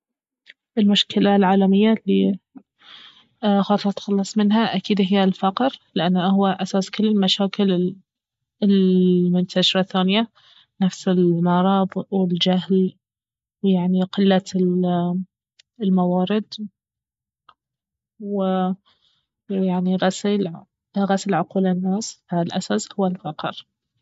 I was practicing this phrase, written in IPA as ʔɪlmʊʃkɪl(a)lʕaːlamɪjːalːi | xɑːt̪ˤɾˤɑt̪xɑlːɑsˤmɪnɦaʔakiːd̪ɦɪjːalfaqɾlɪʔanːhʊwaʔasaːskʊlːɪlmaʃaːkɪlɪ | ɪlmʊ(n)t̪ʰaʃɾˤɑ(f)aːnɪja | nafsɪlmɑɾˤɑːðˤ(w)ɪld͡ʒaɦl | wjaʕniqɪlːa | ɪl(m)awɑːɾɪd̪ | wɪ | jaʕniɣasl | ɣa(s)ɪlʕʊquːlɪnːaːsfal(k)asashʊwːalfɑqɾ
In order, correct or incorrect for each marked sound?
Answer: correct, correct, incorrect, correct, correct, correct, incorrect

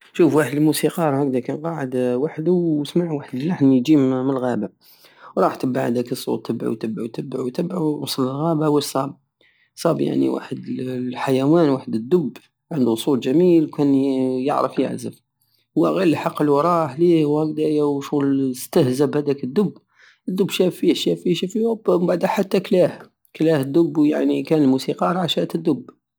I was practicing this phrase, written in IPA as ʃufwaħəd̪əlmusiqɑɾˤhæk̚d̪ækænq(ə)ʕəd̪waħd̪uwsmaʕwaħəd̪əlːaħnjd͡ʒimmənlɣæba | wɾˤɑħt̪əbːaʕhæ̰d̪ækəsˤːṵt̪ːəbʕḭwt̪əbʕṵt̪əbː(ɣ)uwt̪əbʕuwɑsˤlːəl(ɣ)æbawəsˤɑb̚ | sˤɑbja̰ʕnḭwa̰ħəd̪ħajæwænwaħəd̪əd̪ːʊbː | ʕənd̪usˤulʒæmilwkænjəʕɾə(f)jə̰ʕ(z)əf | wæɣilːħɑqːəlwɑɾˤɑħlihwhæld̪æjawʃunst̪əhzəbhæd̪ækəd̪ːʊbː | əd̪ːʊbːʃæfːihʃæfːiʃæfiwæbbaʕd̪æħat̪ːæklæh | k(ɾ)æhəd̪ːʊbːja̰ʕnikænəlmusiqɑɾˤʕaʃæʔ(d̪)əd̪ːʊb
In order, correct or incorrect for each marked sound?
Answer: incorrect, incorrect, correct, correct, correct, incorrect, incorrect

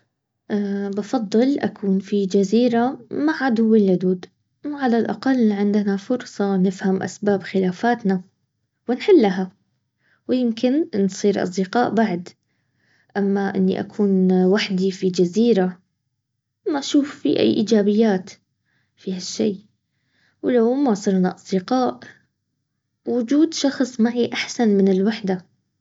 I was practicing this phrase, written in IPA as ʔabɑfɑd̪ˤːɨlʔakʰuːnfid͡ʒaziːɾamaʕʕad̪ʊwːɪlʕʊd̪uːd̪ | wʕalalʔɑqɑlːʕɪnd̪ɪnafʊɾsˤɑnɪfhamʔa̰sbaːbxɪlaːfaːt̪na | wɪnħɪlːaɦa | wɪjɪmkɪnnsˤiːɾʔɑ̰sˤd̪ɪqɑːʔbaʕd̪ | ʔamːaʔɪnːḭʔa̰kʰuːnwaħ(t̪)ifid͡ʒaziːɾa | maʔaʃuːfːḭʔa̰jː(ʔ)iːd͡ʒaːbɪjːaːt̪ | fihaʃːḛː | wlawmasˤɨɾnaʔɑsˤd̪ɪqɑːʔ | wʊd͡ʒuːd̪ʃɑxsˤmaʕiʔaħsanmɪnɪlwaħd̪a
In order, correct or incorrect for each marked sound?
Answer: incorrect, correct

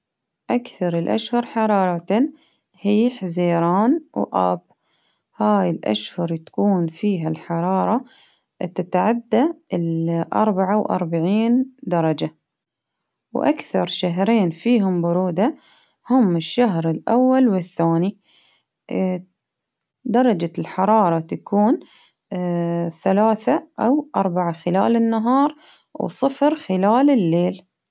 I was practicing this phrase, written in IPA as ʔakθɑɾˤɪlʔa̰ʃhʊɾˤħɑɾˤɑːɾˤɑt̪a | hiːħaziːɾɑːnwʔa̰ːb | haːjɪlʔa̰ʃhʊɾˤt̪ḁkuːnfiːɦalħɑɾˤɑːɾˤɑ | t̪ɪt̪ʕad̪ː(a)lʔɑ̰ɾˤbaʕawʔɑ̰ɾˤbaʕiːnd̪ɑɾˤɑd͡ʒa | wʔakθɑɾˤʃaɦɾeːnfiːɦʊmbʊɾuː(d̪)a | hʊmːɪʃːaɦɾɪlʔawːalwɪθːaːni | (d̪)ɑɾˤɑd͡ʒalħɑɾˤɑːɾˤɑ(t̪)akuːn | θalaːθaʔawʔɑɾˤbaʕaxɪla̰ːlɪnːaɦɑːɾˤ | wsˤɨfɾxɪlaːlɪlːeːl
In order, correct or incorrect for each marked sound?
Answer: correct, correct, correct, correct

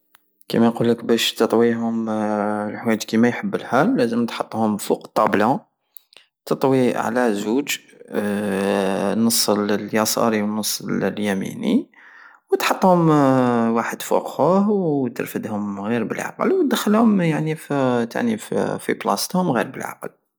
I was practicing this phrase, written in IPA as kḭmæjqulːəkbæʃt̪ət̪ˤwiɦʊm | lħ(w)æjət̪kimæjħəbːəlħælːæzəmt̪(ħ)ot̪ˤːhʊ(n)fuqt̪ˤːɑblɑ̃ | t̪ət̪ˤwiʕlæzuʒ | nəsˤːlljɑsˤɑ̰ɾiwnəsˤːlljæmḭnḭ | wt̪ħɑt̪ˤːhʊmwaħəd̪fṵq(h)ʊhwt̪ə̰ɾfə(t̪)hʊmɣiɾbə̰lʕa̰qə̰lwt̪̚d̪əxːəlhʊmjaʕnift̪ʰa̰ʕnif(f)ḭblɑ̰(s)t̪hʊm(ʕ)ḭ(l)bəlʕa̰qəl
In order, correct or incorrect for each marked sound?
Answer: correct, correct, incorrect, correct, incorrect, correct, correct, incorrect, incorrect

